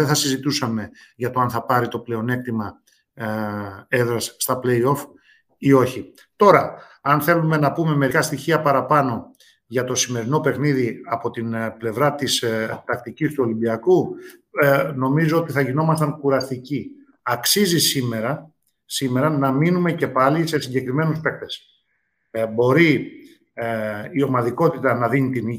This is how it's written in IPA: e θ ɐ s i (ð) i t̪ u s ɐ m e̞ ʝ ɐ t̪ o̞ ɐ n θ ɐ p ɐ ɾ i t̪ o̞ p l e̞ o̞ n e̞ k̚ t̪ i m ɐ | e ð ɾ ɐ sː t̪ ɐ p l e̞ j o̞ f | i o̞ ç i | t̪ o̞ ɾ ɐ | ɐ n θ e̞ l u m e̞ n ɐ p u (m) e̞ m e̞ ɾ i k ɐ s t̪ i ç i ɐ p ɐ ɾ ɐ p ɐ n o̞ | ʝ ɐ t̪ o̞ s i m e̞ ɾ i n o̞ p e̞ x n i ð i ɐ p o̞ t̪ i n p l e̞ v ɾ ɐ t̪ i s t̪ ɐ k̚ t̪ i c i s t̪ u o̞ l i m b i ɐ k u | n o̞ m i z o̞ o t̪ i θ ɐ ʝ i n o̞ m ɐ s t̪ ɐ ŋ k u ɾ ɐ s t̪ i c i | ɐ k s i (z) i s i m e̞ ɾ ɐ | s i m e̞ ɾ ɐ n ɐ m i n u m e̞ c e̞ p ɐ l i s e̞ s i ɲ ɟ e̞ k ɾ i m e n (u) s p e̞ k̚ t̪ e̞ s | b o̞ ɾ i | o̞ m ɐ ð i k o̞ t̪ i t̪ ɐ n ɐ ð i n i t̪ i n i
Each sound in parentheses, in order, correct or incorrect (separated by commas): incorrect, correct, correct, correct